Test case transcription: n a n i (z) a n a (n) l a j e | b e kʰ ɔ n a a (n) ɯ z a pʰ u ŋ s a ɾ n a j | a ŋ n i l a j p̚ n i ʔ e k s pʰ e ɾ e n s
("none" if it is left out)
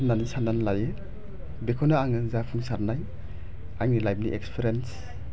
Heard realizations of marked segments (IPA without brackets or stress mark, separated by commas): s, n, ŋ